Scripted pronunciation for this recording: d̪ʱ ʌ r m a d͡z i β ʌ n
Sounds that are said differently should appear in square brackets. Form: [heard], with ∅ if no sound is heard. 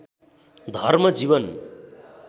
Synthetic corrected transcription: d̪ʱ ʌ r m [ʌ] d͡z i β ʌ n